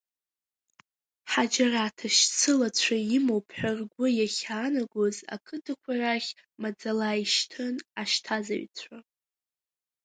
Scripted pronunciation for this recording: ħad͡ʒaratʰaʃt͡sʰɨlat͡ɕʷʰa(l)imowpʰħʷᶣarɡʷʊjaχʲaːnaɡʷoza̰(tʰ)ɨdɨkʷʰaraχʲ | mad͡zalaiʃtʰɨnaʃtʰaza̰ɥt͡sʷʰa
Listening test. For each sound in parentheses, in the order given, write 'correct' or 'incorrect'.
incorrect, incorrect

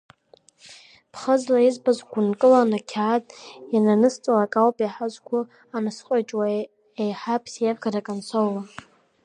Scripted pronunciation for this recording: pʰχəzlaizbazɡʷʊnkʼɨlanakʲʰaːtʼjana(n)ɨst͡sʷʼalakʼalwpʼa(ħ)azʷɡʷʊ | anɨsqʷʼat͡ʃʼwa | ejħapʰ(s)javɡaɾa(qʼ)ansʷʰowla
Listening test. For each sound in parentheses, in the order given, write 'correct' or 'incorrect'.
correct, correct, correct, incorrect

